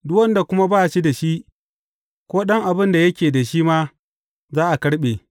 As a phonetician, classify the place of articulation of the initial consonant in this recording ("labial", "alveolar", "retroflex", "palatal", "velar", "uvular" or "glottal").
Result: alveolar